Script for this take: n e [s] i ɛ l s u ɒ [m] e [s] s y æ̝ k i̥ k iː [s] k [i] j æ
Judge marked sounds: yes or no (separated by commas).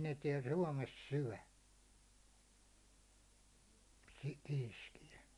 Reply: no, yes, yes, yes, yes